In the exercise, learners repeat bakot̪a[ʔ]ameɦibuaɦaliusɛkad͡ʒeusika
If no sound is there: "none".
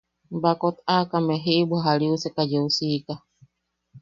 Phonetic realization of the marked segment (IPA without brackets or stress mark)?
k